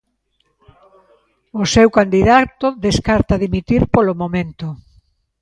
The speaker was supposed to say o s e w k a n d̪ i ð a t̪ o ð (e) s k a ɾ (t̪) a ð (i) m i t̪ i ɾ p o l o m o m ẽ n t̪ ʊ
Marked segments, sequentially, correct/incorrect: correct, correct, correct

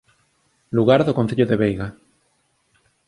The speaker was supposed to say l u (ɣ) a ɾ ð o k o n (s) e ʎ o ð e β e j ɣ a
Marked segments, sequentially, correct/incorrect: correct, incorrect: θ

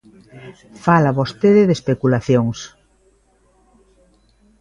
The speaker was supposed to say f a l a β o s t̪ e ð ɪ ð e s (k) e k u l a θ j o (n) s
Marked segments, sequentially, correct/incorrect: incorrect: p, incorrect: ŋ

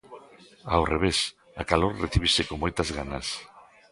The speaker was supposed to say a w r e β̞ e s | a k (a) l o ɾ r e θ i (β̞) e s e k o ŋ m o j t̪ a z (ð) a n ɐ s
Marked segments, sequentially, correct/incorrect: correct, correct, incorrect: ɣ

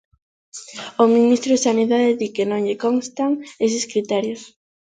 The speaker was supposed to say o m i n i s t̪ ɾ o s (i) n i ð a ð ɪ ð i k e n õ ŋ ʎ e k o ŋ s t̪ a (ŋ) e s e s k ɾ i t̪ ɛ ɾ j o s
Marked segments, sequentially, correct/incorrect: incorrect: a, correct

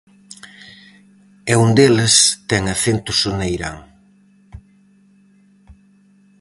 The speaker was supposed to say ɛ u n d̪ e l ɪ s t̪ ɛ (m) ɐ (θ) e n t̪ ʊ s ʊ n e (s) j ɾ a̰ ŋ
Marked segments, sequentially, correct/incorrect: incorrect: ŋ, correct, incorrect: none

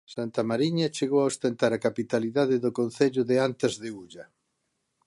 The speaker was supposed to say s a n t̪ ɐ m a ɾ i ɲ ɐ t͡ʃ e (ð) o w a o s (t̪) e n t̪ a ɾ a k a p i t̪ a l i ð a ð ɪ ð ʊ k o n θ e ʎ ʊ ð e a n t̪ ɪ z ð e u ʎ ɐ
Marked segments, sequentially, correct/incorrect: incorrect: ɣ, correct

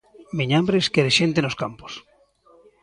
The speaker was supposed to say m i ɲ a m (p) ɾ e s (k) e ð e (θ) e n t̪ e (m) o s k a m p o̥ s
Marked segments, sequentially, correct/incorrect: incorrect: b, correct, incorrect: ʃ, incorrect: n

